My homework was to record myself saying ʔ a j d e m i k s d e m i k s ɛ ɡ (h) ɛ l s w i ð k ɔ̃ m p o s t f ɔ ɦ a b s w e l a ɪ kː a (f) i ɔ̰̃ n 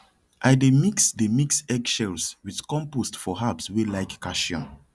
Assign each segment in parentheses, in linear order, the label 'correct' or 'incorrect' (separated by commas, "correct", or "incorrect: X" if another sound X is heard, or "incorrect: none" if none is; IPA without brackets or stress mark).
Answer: incorrect: ʃ, incorrect: ʃ